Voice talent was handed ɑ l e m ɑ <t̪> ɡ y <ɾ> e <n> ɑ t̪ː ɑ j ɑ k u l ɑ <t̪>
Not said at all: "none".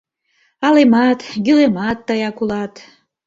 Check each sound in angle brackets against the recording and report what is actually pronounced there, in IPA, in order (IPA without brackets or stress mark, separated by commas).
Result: t̪, l, m, t̪